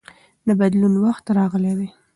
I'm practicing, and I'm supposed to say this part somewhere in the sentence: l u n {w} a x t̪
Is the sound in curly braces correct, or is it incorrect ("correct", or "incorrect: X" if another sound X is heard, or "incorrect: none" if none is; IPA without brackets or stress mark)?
correct